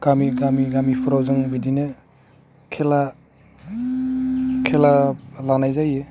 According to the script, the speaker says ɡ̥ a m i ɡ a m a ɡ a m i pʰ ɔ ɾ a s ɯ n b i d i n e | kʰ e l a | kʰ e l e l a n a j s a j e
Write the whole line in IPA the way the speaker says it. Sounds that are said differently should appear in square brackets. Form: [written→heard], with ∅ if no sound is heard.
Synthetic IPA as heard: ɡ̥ a m i ɡ a m [a→i] ɡ a m i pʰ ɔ ɾ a [s→z] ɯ [n→ŋ] b i d i n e | kʰ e l a | kʰ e l [e→a] l a n a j [s→z] a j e